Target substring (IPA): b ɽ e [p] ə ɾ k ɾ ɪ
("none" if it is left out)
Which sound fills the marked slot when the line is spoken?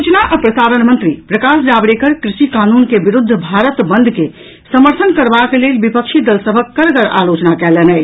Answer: k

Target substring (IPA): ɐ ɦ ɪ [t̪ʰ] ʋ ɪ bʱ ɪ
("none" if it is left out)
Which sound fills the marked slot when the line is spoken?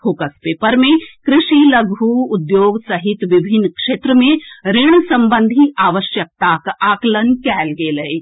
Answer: t̪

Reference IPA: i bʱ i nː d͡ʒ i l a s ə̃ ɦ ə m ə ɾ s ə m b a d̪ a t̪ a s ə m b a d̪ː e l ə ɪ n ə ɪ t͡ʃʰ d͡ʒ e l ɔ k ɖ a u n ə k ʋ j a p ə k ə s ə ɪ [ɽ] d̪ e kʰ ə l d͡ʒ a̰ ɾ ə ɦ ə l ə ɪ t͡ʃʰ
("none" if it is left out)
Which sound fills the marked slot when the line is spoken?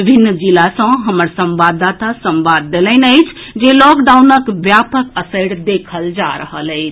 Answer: ɽ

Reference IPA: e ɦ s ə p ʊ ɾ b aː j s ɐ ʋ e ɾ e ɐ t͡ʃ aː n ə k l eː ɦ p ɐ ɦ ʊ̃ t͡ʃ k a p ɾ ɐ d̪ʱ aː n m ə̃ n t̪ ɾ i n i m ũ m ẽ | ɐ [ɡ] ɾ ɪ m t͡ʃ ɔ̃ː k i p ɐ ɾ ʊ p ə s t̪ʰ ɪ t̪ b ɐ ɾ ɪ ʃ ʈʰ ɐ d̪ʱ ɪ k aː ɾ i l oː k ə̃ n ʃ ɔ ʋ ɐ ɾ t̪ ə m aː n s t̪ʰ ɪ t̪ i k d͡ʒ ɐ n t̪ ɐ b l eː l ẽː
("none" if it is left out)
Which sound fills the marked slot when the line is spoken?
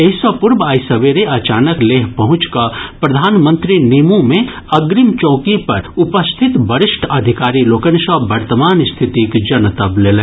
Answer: ɡ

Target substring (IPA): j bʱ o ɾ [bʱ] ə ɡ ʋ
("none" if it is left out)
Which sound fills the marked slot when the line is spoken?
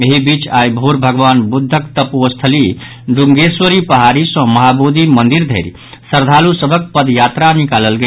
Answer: bʱ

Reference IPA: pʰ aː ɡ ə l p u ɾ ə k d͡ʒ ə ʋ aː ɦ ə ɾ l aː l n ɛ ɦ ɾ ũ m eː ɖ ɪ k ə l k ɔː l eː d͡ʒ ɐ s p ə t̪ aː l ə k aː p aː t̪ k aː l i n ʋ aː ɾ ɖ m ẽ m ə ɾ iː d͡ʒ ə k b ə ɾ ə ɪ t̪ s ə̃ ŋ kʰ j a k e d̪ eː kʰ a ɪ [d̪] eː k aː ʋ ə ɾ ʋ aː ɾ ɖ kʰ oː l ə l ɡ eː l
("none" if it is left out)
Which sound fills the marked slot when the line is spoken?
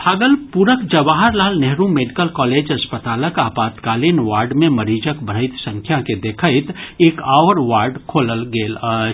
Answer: t̪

